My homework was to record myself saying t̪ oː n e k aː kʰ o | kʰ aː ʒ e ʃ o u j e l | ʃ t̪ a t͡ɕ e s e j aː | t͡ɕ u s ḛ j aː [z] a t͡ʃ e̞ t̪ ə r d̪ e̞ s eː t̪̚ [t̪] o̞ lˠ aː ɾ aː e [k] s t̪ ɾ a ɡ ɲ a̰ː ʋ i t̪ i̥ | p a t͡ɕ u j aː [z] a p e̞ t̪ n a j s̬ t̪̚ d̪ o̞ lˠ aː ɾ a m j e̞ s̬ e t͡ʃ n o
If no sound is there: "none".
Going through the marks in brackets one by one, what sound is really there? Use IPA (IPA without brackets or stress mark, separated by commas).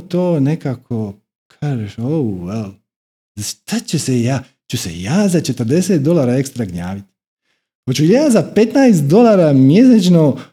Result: z, d̪, k, z